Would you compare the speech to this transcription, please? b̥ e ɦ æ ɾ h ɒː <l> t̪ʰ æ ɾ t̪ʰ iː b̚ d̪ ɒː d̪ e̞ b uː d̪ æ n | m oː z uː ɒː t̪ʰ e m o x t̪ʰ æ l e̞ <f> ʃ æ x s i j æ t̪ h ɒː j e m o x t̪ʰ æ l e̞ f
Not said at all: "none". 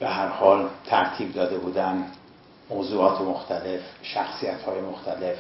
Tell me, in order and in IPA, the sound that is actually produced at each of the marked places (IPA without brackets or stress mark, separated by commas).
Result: l, f